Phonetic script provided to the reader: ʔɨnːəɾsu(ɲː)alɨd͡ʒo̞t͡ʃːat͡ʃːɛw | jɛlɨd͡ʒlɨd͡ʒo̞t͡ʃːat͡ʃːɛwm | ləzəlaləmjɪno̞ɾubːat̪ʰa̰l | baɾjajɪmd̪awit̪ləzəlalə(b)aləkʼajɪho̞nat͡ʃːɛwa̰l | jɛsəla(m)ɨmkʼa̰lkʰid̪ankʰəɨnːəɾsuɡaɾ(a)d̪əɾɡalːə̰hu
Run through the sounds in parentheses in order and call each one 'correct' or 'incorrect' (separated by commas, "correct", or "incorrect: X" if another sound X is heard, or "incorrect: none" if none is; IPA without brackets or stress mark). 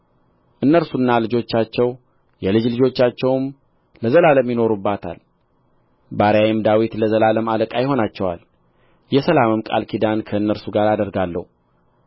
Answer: incorrect: nː, incorrect: m, correct, correct